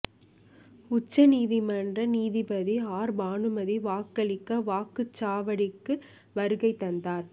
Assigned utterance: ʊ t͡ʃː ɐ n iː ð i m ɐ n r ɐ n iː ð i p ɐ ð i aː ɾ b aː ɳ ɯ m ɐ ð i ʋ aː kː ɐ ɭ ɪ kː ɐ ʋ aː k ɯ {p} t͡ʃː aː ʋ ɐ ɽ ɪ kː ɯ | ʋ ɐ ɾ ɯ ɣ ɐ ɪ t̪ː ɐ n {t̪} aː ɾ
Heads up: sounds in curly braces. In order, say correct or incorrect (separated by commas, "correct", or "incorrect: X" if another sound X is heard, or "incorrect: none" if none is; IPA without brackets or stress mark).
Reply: incorrect: none, incorrect: d̪